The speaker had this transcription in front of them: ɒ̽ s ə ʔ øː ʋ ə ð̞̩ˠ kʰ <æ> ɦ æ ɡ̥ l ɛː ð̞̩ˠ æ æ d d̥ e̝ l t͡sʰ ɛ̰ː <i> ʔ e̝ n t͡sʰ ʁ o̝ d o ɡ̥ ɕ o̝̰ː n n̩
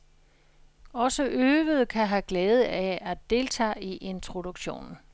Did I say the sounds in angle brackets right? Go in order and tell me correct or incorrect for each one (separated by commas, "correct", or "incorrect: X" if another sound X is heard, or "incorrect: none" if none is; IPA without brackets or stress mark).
correct, correct